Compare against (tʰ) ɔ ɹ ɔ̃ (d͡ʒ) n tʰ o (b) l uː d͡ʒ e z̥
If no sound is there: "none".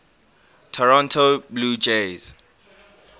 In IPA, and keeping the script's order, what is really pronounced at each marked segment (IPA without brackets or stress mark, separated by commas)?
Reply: tʰ, none, b